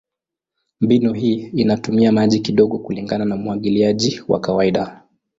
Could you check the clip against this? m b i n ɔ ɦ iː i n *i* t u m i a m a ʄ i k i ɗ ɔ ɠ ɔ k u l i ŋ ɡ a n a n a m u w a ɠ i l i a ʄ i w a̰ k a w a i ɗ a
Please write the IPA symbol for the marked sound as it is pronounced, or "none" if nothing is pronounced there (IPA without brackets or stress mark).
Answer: a